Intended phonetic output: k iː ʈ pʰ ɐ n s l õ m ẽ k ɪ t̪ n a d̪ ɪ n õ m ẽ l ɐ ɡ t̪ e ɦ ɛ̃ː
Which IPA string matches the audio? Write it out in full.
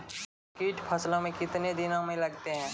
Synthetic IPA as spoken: k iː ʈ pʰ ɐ s l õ m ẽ k ɪ t̪ n e d̪ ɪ n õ m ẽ l ɐ ɡ t̪ e ɦ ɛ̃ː